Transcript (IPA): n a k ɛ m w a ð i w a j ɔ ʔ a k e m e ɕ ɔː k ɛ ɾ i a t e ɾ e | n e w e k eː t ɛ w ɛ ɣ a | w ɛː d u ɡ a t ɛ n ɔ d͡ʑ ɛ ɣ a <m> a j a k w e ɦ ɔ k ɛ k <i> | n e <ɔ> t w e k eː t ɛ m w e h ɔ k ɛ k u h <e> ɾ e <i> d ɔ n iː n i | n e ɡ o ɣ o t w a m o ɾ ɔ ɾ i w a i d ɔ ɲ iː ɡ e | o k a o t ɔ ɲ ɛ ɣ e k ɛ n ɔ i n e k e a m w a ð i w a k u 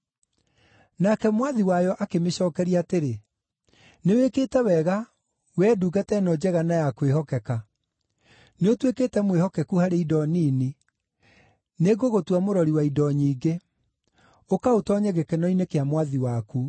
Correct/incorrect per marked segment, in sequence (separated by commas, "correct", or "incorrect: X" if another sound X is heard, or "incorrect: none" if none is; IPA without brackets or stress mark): incorrect: n, incorrect: a, incorrect: o, incorrect: a, correct